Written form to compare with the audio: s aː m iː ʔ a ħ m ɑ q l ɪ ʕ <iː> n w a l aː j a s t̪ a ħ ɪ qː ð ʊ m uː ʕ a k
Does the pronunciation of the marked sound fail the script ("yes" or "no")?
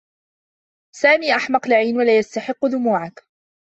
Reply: no